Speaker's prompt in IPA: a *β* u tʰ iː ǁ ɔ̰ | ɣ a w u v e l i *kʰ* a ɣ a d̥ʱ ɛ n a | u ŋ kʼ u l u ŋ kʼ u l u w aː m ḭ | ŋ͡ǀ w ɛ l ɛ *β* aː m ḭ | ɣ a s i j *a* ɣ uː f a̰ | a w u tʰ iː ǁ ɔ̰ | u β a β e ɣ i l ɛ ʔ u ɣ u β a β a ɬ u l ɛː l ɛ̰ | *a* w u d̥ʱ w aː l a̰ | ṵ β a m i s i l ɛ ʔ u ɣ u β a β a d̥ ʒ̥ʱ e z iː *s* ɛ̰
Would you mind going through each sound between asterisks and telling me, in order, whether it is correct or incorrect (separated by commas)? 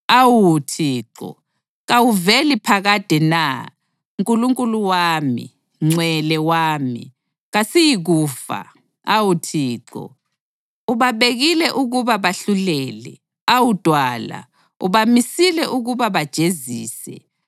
incorrect, incorrect, incorrect, incorrect, correct, correct